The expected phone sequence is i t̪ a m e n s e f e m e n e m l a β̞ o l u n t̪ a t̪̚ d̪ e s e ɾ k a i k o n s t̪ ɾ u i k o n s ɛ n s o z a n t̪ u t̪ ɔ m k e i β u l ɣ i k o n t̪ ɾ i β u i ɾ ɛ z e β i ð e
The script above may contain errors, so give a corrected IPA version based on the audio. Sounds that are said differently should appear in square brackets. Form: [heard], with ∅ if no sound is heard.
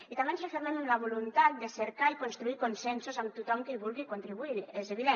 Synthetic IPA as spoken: i t̪ a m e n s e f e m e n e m l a β̞ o l u n t̪ a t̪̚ d̪ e s e ɾ k a i k o n s t̪ ɾ u i k o n s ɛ n s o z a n t̪ u t̪ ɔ m k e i β u l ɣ i k o n t̪ ɾ i β u i ɾ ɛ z e β i ð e